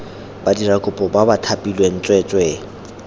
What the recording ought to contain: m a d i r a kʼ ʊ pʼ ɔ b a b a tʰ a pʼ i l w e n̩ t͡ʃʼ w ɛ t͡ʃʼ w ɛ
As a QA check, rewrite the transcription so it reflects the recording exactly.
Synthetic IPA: b a d i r a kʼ ʊ pʼ ɔ b a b a tʰ a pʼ i l w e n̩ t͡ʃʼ w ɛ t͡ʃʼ w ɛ

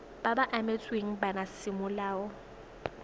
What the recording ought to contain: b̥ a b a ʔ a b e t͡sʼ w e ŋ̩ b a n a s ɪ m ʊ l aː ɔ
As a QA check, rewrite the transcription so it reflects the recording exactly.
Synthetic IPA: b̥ a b a ʔ a m e t͡sʼ w e ŋ̩ b a n a s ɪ m ʊ l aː ɔ

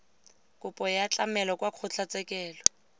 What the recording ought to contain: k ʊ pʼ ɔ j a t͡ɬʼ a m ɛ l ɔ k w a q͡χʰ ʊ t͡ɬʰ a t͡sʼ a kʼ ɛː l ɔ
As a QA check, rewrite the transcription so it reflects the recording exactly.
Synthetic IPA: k ʊ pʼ ɔ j a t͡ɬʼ a m ɛ l ɔ k w a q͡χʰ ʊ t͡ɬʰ a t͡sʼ ɛ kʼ ɛː l ɔ

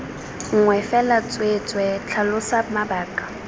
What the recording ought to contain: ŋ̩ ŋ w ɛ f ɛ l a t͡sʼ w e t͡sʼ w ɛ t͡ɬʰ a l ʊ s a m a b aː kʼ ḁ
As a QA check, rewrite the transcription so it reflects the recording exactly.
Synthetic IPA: ŋ̩ ŋ w ɛ f ɛ l a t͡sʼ w e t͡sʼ w ɛ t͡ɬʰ a l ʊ s a m a b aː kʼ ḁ

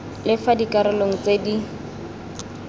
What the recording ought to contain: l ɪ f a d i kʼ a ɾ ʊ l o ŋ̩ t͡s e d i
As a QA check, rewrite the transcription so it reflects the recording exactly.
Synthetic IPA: l ɪ f a d i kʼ a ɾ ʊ l o ŋ̩ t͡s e d i

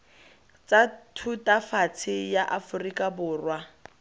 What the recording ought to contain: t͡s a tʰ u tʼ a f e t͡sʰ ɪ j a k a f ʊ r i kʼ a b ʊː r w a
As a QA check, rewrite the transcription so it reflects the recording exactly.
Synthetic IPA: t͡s a tʰ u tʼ a f a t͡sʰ ɪ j a ʔ a f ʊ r i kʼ a b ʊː r w a

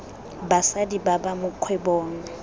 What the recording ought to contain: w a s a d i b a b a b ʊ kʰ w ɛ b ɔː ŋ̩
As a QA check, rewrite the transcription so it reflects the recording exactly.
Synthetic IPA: b a s a d i b a b a m ʊ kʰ w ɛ b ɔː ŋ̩

